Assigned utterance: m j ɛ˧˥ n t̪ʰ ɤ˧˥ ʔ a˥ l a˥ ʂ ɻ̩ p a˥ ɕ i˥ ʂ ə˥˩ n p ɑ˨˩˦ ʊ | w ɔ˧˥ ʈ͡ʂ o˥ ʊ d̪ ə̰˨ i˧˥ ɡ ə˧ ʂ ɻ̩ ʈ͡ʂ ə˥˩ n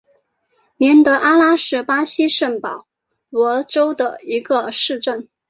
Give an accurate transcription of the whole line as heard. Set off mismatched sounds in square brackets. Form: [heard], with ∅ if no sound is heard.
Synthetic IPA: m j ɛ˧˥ n [t̪] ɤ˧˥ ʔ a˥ l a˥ ʂ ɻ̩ p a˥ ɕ i˥ ʂ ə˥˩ n p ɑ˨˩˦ ʊ | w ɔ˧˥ ʈ͡ʂ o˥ ʊ d̪ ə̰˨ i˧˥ ɡ ə˧ ʂ ɻ̩ ʈ͡ʂ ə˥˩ n

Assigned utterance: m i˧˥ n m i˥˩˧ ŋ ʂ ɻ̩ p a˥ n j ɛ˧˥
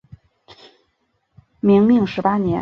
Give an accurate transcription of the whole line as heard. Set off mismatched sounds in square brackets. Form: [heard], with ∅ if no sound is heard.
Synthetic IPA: m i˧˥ [ŋ] m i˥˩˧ ŋ ʂ ɻ̩ p a˥ n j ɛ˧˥

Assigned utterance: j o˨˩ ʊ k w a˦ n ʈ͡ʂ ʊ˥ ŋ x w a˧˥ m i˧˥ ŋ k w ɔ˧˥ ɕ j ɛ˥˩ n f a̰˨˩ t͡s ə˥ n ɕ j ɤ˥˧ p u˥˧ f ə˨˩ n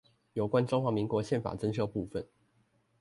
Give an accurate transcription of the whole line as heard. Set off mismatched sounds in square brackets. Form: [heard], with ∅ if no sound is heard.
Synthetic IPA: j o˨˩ ʊ k w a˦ n ʈ͡ʂ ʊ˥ ŋ x w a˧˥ m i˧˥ ŋ k w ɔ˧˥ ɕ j ɛ˥˩ n f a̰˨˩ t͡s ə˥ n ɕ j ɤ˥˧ p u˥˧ f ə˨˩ n

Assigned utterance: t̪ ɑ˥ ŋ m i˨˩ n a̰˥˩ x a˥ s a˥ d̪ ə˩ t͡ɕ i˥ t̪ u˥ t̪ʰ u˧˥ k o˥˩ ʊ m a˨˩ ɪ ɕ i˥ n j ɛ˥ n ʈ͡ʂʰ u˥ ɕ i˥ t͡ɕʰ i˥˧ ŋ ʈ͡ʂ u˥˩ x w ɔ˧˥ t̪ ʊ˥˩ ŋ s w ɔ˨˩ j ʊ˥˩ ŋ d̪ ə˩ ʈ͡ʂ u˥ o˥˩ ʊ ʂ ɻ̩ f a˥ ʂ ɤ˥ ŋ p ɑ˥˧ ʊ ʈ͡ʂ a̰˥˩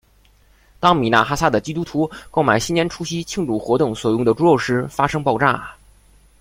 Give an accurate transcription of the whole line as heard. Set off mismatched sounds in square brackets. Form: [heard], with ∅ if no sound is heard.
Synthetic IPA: t̪ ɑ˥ ŋ m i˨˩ n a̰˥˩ x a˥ s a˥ d̪ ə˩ t͡ɕ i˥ t̪ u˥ t̪ʰ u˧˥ k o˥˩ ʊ m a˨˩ ɪ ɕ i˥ n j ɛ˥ n ʈ͡ʂʰ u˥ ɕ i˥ t͡ɕʰ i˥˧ ŋ ʈ͡ʂ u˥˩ x w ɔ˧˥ t̪ ʊ˥˩ ŋ s w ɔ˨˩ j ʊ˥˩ ŋ d̪ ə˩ ʈ͡ʂ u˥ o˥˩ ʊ ʂ ɻ̩ f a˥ ʂ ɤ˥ ŋ p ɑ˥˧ ʊ ʈ͡ʂ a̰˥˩

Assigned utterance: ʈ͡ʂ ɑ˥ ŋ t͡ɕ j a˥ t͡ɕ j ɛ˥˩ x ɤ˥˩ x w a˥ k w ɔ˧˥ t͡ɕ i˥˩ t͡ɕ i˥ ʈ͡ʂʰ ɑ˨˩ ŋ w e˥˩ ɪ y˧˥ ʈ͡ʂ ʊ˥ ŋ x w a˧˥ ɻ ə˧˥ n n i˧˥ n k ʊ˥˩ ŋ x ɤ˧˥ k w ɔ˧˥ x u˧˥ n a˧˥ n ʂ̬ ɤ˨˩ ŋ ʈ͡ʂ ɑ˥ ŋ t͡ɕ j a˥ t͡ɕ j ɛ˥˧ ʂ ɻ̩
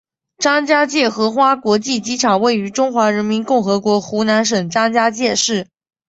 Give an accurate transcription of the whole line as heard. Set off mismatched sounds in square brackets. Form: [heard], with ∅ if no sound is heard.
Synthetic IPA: ʈ͡ʂ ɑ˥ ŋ t͡ɕ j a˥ t͡ɕ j ɛ˥˩ x [ɤ˧˥] x w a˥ k w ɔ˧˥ t͡ɕ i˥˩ t͡ɕ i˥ ʈ͡ʂʰ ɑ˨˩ ŋ w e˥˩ ɪ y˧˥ ʈ͡ʂ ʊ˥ ŋ x w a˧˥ ɻ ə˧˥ n [m] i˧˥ n k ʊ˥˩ ŋ x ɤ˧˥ k w ɔ˧˥ x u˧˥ n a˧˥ n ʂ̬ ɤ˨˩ ŋ ʈ͡ʂ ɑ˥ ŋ t͡ɕ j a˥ t͡ɕ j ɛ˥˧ ʂ ɻ̩

